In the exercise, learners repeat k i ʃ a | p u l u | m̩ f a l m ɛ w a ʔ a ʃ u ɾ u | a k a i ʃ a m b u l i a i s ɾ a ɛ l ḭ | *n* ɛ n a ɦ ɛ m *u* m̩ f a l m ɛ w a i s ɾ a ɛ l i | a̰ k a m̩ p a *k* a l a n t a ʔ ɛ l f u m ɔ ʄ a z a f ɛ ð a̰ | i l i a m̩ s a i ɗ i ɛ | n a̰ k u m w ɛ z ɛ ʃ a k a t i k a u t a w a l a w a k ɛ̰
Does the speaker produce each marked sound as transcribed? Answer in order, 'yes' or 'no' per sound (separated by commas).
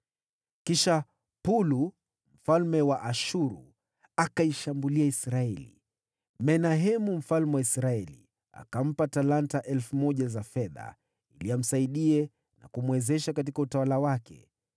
no, yes, no